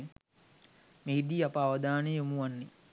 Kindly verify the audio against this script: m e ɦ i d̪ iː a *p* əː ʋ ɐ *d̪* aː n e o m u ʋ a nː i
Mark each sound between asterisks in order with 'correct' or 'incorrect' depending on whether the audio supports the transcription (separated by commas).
correct, correct